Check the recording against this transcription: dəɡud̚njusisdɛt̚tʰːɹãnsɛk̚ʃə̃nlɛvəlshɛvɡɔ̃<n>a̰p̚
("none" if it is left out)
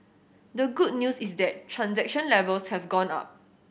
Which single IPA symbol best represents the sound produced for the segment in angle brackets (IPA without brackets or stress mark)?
n